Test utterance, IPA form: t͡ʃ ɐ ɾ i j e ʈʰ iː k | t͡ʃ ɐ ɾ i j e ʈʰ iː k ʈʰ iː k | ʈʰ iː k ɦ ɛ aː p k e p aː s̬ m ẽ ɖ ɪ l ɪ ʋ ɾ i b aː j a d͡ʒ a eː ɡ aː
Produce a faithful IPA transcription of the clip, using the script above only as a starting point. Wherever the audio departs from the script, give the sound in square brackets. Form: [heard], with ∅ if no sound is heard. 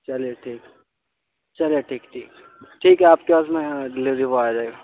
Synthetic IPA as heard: t͡ʃ ɐ [l] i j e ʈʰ iː k | t͡ʃ ɐ [l] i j e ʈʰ iː k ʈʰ iː k | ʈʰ iː k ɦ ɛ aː p k e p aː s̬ m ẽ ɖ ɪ l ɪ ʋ ɾ i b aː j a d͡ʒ a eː ɡ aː